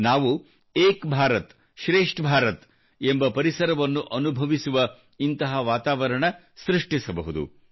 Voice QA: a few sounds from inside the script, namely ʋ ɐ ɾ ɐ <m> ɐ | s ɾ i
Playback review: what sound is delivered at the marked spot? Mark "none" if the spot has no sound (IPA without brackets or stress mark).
ɳ